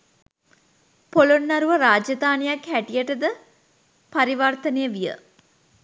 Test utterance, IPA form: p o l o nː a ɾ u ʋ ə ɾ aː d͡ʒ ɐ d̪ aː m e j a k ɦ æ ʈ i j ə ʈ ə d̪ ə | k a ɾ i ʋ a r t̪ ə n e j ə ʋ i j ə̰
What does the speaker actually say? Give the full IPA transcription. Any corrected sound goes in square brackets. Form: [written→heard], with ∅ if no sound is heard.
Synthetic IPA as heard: p o l o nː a ɾ u ʋ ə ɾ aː d͡ʒ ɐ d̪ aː [m→n] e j a k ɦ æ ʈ i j ə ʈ ə d̪ ə | [k→p] a ɾ i ʋ a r t̪ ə n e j ə ʋ i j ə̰